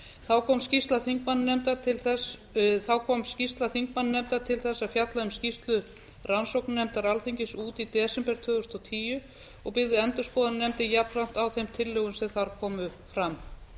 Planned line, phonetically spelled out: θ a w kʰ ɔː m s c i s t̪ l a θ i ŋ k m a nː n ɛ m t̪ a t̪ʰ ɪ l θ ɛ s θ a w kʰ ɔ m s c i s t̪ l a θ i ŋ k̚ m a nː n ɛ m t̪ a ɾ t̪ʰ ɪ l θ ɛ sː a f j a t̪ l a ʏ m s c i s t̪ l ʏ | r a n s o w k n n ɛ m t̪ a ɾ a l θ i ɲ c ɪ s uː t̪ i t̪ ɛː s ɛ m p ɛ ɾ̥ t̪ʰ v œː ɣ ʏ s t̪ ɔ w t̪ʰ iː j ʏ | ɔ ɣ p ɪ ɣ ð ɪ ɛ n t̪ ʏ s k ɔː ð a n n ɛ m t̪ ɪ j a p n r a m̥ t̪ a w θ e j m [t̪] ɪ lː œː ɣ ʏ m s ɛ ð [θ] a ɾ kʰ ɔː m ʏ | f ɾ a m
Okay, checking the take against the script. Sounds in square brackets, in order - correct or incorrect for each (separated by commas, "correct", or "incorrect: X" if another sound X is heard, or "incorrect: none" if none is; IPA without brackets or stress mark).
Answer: incorrect: t̪ʰ, correct